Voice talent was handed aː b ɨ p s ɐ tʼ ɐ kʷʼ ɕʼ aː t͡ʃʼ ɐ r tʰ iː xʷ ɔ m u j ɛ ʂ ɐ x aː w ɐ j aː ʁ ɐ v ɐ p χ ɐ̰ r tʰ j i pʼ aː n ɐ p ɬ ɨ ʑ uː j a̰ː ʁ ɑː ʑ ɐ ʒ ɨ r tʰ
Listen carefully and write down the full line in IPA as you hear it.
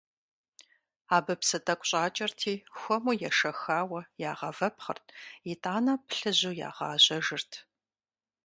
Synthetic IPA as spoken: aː b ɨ p s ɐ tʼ ɐ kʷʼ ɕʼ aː t͡ʃʼ ɐ r tʰ iː xʷ ɔ m u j ɛ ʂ ɐ x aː w ɐ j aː ʁ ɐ v ɐ p χ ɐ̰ r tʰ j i tʼ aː n ɐ p ɬ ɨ ʑ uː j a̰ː ʁ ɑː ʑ ɐ ʒ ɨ r tʰ